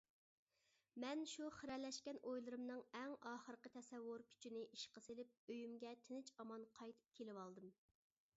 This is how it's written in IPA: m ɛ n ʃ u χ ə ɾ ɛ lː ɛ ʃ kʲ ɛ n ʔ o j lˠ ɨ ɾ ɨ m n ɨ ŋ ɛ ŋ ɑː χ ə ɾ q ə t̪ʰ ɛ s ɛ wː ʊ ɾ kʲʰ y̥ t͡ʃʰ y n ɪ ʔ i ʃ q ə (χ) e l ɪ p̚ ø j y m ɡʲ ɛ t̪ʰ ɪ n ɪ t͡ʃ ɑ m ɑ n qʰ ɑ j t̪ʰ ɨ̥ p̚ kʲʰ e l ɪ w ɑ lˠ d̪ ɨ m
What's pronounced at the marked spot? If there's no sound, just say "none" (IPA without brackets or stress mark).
s